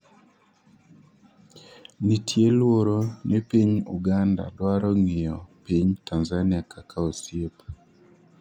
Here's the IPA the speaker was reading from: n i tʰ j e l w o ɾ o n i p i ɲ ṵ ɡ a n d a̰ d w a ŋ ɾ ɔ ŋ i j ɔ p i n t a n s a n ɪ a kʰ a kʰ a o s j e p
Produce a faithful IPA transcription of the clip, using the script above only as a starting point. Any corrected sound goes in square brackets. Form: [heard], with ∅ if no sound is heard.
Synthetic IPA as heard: n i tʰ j e l w o ɾ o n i p i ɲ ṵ ɡ a n d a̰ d w a [∅] ɾ ɔ ŋ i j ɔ p i [ɲ] t a n [z] a n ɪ a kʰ a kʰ a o s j e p